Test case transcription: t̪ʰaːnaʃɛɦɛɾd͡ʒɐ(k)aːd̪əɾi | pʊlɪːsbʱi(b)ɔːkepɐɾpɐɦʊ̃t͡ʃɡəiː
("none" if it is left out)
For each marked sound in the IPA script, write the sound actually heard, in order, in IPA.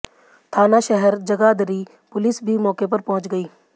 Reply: ɡ, m

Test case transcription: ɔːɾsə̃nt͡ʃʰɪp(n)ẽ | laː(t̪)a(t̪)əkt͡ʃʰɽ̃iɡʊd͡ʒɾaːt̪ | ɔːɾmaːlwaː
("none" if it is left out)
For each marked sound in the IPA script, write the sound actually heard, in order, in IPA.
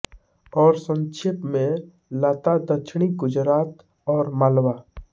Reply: m, t̪, d̪

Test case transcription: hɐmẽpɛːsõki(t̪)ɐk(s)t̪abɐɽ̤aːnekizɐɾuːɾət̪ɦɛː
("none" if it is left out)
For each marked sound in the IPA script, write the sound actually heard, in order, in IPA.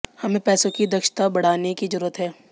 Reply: d̪, ʃ

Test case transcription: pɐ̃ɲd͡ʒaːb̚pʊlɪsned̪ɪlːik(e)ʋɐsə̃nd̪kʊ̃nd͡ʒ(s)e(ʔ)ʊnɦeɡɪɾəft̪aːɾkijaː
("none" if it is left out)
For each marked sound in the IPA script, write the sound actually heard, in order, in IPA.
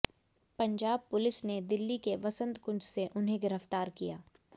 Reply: e, s, ʔ

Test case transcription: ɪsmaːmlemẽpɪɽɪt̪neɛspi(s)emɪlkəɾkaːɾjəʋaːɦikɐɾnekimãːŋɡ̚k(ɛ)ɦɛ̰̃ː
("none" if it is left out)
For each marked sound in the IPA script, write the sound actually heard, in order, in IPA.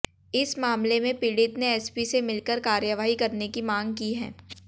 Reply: s, i

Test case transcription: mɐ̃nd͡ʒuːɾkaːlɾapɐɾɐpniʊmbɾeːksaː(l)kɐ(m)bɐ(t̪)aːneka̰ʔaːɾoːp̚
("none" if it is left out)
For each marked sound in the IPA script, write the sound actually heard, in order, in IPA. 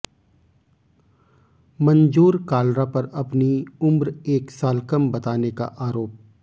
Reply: l, m, t̪

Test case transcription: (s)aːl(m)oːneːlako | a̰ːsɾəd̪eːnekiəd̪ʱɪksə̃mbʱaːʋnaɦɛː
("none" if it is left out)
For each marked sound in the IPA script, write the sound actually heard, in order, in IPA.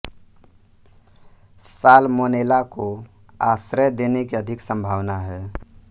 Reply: s, m

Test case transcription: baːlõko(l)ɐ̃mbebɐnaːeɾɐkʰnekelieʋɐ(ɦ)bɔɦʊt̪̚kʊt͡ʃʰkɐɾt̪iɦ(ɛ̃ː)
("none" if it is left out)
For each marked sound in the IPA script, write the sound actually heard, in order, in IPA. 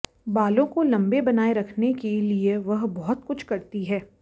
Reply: l, ɦ, ɛː

